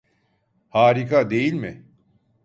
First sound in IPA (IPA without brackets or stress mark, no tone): h